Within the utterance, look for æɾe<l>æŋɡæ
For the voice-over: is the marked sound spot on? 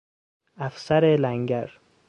yes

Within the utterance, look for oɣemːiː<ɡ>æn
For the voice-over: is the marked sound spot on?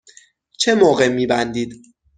no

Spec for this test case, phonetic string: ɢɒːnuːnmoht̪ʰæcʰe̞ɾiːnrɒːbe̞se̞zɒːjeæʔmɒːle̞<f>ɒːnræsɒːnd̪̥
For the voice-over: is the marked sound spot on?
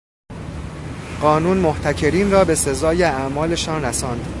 no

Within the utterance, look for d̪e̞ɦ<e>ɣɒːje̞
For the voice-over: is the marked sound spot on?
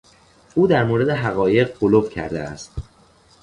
no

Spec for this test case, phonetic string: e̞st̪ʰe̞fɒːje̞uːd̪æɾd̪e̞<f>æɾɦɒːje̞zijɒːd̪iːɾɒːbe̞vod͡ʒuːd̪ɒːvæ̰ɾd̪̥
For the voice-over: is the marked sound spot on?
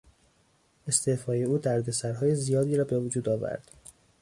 no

